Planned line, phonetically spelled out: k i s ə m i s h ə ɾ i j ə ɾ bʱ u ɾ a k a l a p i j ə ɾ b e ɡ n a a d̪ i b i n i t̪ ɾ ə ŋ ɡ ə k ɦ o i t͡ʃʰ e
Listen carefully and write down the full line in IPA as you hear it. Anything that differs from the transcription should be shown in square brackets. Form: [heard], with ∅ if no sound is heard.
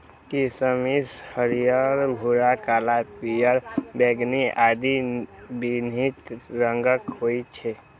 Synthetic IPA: k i s ə m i s h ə ɾ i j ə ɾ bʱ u ɾ a k a l a p i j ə ɾ b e ɡ n [i] a d̪ i b i n i t̪ ɾ ə ŋ ɡ ə k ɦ o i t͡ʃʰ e

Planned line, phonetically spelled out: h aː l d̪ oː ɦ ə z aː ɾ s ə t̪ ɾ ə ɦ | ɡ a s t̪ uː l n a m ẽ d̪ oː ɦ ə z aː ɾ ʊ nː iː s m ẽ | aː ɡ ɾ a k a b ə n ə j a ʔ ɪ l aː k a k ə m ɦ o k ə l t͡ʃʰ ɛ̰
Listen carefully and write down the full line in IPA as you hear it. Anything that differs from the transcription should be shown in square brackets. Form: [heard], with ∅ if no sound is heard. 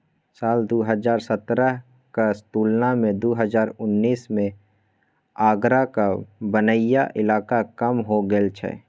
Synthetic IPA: [s] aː l d̪ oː ɦ ə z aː ɾ s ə t̪ ɾ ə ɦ | [k] a s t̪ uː l n a m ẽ d̪ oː ɦ ə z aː ɾ ʊ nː iː s m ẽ | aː ɡ ɾ a k a b ə n ə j a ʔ ɪ l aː k a k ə m ɦ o [ɡ] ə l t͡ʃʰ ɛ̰

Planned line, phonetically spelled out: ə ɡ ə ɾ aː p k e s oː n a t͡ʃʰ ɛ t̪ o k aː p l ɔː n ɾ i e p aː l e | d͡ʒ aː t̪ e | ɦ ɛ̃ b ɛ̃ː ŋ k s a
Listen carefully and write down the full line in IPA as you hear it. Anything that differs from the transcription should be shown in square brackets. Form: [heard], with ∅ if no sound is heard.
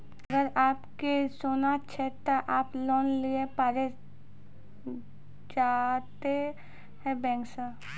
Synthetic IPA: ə ɡ ə ɾ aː p k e s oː n a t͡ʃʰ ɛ t̪ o [ʔ] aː p l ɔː n [l] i e p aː [ɾ] e | d͡ʒ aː t̪ e | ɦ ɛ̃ b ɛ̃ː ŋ k s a

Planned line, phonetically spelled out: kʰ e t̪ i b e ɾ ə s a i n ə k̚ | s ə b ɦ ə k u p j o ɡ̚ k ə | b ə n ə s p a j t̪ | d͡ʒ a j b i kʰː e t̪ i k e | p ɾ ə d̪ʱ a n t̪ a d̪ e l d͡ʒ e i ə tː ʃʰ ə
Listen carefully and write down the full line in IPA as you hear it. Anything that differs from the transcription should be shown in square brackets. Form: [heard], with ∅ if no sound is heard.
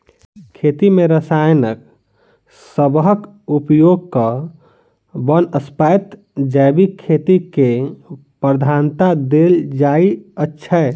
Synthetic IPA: kʰ e t̪ i [m] e ɾ ə s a [j] n ə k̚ | s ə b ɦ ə k u p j o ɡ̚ k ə | b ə n ə s p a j t̪ | d͡ʒ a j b i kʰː e t̪ i k e | p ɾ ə d̪ʱ a n t̪ a d̪ e l d͡ʒ [a] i ə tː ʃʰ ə

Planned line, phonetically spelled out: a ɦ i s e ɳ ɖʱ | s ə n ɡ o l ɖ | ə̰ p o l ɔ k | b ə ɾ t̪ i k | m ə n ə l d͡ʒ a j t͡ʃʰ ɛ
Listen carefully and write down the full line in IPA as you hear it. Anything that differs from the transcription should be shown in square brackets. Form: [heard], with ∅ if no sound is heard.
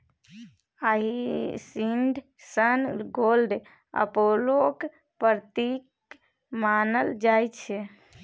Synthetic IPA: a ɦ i s [i] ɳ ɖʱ | s ə n ɡ o l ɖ | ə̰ p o l [o] k | [p] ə ɾ t̪ i k | m [a] n ə l d͡ʒ a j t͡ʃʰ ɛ

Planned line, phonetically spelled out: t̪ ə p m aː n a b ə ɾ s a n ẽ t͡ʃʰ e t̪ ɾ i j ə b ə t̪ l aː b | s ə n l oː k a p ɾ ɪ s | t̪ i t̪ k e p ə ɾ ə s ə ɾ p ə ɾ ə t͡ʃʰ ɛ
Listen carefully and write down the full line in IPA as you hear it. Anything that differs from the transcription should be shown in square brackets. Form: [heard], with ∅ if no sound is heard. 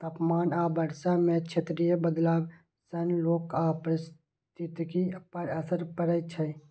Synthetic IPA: t̪ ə p m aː n a b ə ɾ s a [m] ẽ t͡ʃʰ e t̪ ɾ i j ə b ə [d̪] l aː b | s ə n l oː k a p ɾ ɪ s | t̪ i t̪ k [i] p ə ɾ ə s ə ɾ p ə ɾ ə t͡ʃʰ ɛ

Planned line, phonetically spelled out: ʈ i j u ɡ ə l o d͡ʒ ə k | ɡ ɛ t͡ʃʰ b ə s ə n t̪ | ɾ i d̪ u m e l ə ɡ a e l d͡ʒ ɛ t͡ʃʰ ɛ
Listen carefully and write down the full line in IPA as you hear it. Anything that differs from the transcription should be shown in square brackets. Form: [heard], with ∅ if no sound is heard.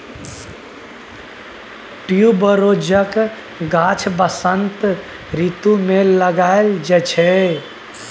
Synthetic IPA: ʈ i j u [b] ə [ɾ] o d͡ʒ ə k | ɡ [a] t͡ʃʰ b ə s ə n t̪ | ɾ i [t̪] u m e l ə ɡ a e l d͡ʒ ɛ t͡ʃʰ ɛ

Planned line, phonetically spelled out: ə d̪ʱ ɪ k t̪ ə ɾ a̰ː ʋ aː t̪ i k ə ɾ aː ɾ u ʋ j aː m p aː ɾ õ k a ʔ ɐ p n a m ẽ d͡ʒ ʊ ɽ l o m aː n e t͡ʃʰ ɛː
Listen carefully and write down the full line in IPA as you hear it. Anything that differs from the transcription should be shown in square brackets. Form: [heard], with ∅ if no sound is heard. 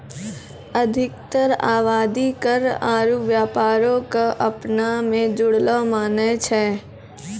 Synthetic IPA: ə d̪ʱ ɪ k t̪ ə ɾ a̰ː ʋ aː [d̪] i k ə ɾ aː ɾ u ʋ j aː [∅] p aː ɾ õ k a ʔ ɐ p n a m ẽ d͡ʒ ʊ ɽ l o m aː n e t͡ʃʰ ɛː

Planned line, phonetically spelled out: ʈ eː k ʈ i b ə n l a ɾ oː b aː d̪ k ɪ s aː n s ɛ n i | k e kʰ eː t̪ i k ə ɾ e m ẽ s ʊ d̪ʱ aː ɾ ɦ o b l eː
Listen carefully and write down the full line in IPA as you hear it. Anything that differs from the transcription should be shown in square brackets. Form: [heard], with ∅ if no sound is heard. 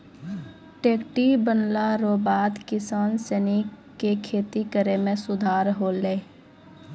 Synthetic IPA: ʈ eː k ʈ i b ə n l a ɾ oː b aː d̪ k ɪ s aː n s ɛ n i | k e kʰ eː t̪ i k ə ɾ e m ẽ s ʊ d̪ʱ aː ɾ ɦ o [∅] l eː

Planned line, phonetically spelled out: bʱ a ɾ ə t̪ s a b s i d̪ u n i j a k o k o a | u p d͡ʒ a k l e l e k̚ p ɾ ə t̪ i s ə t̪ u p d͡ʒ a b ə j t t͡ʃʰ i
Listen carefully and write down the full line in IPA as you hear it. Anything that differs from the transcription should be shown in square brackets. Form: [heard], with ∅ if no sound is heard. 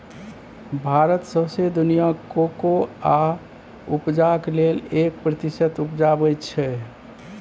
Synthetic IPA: bʱ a ɾ ə t̪ s [ə] b s [e] d̪ u n i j a k o k o a | u p d͡ʒ a k l e l e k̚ p ɾ ə t̪ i s ə t̪ u p d͡ʒ a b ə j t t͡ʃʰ [ɛ]

